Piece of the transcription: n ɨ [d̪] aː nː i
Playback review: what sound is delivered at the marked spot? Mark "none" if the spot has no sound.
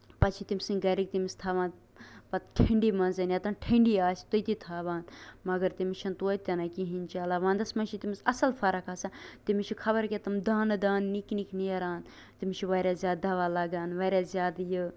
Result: d̪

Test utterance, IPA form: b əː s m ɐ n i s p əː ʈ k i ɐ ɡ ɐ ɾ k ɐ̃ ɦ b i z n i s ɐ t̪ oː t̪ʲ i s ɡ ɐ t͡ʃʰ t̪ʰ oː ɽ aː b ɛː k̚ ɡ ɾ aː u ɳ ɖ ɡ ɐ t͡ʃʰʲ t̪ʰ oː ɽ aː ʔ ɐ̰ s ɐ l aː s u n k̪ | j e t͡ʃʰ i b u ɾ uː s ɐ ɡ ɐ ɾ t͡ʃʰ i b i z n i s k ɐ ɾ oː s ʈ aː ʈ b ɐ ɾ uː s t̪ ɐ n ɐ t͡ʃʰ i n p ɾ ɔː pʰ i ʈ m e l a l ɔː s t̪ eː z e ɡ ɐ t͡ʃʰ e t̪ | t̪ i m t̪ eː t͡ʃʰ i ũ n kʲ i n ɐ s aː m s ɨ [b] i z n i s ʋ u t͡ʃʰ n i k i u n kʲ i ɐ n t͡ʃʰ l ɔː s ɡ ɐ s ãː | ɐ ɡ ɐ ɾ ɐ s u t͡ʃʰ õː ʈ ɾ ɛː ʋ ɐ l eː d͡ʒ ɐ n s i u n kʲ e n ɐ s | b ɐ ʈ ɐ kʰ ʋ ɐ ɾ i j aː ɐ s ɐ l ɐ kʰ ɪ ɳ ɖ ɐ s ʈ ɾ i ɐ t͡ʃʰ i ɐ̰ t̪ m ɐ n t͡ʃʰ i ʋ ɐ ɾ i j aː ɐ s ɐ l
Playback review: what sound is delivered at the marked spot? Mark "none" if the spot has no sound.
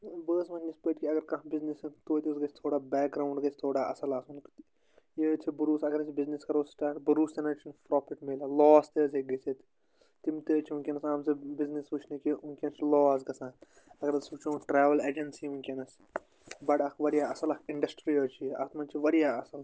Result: b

